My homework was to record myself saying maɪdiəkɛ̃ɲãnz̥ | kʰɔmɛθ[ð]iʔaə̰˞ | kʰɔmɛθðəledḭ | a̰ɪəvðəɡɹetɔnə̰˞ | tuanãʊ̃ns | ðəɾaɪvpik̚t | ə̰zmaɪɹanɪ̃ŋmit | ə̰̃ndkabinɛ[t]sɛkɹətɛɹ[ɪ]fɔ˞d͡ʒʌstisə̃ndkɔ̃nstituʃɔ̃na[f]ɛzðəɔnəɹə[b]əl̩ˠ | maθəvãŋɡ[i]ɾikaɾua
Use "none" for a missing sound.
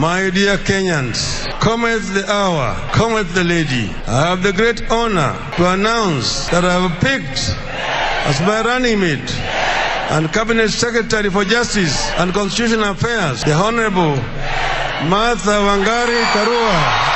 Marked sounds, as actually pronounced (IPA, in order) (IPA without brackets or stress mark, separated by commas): ð, t, i, f, b, a